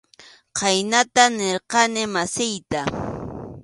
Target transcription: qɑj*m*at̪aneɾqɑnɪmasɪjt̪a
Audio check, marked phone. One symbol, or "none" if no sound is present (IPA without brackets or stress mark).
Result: n